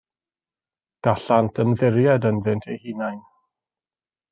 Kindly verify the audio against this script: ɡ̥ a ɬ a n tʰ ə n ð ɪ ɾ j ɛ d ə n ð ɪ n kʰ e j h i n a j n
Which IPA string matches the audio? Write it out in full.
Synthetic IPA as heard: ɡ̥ a ɬ a n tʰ ə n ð ɪ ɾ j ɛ d ə n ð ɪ n tʰ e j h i n a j n